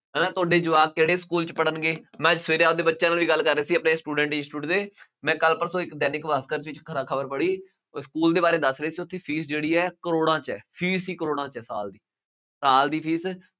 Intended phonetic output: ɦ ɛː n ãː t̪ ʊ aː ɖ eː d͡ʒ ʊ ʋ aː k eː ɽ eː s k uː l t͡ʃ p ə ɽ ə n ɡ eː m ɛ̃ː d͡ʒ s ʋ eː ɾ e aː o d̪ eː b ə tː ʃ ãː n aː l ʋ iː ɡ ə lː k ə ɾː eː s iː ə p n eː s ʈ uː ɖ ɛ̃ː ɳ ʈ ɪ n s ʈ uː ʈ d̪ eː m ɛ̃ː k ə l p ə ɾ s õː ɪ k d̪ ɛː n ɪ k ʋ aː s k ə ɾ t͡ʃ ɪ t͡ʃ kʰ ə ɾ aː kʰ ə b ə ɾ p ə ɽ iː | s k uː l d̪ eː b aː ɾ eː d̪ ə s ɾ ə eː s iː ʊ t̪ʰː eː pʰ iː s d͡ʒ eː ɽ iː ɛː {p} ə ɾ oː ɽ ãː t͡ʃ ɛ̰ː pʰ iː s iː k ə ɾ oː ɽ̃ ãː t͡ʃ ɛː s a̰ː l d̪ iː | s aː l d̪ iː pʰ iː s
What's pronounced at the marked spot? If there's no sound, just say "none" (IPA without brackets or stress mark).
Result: k